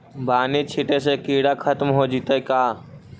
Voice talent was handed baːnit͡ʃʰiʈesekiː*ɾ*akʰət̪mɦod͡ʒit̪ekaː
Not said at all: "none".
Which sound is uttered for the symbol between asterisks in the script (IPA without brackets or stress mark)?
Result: ɽ